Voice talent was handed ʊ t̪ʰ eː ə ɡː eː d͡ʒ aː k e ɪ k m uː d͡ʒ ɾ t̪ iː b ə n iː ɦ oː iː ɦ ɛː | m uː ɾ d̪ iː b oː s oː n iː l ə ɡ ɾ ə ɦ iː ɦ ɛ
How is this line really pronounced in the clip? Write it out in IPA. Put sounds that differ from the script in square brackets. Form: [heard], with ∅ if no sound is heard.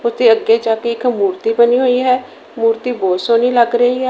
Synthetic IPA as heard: ʊ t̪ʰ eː ə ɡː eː d͡ʒ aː k e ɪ k m uː [∅] ɾ t̪ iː b ə n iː ɦ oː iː ɦ ɛː | m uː ɾ [t̪] iː b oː s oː n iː l ə ɡ ɾ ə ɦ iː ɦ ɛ